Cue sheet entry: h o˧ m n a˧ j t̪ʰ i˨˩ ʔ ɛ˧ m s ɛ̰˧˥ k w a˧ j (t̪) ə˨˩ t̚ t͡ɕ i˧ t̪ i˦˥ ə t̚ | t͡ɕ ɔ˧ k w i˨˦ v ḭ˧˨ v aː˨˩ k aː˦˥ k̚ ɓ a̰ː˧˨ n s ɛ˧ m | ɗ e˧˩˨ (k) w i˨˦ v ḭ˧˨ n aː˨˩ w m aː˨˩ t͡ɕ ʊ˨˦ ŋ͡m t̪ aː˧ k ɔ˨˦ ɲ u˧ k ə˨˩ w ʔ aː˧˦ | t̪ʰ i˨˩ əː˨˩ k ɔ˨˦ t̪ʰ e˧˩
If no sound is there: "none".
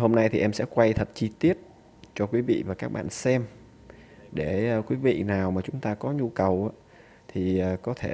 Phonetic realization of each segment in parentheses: t̪ʰ, k

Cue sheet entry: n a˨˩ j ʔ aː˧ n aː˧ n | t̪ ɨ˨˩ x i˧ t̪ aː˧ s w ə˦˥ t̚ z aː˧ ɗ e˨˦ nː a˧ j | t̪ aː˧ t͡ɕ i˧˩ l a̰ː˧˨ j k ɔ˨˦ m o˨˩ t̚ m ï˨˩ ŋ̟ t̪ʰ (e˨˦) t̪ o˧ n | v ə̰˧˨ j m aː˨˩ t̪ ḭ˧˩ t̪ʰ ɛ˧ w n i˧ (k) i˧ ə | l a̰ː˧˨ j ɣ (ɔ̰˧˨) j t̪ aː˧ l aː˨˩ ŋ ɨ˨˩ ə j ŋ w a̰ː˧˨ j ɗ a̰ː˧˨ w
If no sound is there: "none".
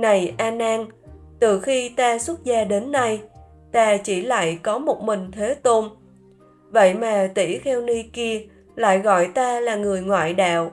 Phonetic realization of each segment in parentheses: e˨˦, k, ɔ̰˧˨

